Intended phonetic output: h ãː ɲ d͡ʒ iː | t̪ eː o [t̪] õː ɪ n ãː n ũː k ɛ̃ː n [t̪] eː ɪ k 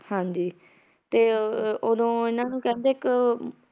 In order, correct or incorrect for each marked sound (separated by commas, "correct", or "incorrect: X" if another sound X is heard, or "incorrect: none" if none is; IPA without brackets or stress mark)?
incorrect: d̪, incorrect: d̪